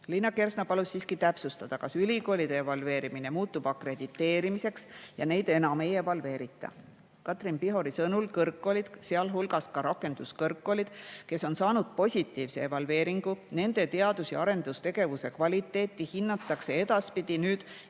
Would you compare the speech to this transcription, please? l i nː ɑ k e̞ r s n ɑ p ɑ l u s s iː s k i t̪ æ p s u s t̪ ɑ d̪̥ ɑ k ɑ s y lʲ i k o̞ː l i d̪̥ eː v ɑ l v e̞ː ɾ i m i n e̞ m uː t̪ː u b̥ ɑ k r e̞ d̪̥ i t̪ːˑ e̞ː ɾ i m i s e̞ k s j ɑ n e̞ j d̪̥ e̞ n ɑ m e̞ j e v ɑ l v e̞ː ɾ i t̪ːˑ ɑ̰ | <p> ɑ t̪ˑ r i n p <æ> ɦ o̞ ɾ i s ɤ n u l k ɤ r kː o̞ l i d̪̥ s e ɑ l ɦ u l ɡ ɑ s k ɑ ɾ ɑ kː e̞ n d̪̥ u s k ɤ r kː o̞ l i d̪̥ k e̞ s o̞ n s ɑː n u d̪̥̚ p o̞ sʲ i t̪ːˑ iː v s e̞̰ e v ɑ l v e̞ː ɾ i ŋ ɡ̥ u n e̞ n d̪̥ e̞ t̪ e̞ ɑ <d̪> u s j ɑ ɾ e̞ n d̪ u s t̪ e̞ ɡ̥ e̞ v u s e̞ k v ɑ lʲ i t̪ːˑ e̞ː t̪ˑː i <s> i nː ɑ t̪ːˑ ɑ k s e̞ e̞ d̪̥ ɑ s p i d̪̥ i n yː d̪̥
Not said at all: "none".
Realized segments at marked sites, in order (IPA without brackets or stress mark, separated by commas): k, i, d̪, h